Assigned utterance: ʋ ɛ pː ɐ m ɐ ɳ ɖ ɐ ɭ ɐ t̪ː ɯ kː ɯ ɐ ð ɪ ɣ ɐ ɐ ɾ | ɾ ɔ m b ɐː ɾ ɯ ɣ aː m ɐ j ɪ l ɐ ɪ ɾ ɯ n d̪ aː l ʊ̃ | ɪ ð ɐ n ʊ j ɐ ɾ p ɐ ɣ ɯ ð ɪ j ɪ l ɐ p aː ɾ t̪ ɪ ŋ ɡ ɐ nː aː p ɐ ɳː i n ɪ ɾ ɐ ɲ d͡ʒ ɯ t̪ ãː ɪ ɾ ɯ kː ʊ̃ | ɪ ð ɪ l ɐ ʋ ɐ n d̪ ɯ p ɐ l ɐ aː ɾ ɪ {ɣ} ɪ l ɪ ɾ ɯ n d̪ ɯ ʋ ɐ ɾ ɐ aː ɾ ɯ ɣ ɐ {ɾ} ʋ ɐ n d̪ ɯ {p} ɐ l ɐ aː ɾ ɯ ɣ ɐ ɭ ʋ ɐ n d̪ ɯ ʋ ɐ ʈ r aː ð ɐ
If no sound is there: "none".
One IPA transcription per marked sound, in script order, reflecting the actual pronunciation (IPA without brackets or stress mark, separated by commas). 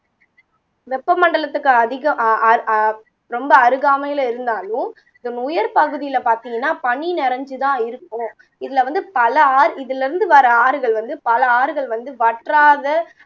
ð, ɭ, p